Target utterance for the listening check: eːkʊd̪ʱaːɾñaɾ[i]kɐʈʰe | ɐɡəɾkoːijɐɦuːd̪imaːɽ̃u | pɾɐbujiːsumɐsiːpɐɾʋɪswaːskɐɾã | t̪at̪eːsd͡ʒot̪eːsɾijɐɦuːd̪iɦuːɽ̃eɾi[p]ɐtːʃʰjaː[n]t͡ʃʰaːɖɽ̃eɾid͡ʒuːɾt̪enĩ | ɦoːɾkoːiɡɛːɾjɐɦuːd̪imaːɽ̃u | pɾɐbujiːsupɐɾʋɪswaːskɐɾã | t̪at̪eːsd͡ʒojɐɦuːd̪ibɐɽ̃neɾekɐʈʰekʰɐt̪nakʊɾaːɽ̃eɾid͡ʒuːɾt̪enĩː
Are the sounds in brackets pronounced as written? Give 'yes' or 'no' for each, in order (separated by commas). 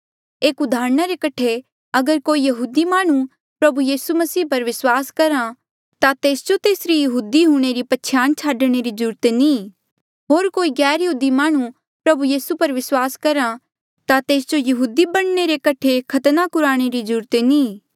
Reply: no, yes, yes